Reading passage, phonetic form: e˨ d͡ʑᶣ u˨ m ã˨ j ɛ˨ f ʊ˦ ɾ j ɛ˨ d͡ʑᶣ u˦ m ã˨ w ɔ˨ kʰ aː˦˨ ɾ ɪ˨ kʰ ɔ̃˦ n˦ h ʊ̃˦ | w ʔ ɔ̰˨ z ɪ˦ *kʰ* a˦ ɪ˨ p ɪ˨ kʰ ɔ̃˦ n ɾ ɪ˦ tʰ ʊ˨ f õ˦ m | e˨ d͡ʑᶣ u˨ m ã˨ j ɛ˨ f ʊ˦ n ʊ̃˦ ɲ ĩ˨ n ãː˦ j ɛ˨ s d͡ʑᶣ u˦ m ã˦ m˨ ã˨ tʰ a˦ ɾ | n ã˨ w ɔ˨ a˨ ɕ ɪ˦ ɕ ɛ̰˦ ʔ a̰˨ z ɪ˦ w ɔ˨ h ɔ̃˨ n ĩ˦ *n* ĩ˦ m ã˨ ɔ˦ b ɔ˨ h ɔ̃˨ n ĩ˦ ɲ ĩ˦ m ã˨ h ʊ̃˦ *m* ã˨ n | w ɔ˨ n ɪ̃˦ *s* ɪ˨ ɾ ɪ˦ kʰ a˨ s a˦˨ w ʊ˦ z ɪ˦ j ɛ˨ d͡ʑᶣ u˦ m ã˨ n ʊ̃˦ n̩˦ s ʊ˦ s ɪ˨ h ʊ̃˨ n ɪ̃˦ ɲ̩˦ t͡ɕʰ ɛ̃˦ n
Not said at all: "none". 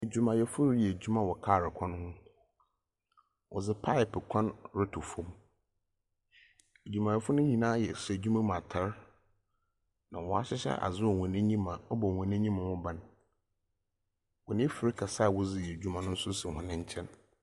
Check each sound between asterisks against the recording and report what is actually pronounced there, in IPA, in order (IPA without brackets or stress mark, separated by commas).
pʰ, ɲ, b, f